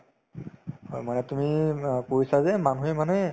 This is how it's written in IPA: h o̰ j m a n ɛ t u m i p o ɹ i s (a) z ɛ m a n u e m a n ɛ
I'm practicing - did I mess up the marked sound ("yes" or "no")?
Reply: no